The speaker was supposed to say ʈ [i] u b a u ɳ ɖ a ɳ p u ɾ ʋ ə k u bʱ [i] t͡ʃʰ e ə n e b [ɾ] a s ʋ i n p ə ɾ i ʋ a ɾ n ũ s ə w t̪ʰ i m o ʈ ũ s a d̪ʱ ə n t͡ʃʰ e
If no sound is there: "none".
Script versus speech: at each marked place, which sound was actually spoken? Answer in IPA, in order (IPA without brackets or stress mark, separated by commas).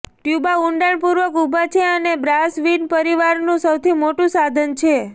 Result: j, a, ɾ